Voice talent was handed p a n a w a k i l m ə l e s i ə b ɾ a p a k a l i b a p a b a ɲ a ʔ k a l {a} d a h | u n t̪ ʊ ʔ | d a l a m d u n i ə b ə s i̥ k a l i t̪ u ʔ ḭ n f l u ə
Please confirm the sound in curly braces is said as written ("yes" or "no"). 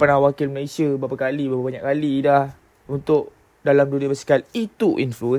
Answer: no